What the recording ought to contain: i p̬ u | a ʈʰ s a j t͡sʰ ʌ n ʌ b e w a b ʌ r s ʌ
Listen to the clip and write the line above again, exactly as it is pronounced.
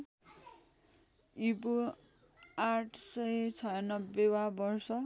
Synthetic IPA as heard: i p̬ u | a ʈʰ s ʌ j t͡sʰ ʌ n ʌ b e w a b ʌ r s ʌ